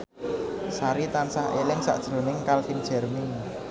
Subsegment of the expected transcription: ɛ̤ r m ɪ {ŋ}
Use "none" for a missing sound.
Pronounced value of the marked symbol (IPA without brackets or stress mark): ŋ